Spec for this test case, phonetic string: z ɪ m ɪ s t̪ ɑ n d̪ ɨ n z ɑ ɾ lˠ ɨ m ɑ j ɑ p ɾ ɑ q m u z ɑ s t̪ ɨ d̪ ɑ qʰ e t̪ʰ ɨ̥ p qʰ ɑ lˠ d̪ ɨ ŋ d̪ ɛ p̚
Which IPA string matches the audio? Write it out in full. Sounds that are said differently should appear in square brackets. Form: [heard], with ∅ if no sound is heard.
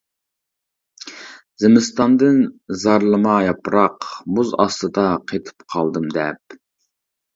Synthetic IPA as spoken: z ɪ m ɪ s t̪ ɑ n d̪ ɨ n z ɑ ɾ lˠ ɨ m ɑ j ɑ p ɾ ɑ q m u z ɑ s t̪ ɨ d̪ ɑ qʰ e t̪ʰ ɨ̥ p qʰ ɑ lˠ d̪ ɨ [m] d̪ ɛ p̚